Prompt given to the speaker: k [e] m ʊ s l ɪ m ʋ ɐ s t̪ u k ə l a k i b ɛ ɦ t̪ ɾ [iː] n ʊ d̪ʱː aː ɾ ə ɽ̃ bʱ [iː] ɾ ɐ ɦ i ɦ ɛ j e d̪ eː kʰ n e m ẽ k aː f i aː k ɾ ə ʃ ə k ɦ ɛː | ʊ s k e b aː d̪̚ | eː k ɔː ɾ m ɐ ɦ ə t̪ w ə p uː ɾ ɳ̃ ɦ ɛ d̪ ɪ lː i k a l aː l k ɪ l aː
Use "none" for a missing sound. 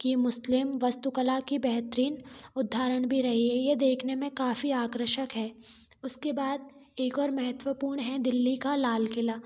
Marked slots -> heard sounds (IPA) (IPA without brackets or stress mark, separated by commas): i, iː, i